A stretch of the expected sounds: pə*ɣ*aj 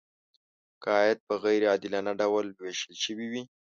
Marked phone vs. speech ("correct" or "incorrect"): correct